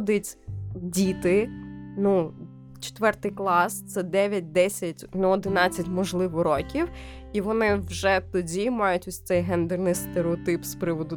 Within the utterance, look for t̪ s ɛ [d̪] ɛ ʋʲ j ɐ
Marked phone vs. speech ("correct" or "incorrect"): correct